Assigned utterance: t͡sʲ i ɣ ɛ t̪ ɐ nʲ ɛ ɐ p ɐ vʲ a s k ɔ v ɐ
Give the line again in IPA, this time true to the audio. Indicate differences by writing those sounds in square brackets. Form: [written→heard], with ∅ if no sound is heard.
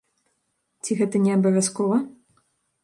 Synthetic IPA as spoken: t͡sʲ i ɣ ɛ t̪ ɐ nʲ ɛ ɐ [p→b] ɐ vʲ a s k ɔ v ɐ